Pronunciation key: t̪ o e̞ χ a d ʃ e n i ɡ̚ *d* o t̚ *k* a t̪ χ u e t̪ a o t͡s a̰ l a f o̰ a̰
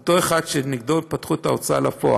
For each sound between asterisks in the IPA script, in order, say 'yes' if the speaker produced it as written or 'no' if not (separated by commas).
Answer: yes, no